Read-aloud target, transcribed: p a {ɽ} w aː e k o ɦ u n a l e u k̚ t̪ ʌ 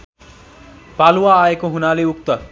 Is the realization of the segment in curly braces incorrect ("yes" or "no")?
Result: yes